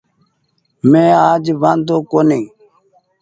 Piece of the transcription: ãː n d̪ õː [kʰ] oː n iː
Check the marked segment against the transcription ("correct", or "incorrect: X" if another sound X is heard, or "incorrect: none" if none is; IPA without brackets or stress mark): incorrect: k